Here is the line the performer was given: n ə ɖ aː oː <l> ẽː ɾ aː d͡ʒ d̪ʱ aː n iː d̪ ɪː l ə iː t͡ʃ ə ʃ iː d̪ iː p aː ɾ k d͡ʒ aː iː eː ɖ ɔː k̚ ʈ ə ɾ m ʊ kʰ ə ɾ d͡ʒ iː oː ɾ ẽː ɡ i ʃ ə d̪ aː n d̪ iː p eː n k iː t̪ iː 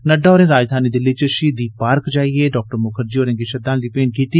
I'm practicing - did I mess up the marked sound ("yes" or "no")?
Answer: yes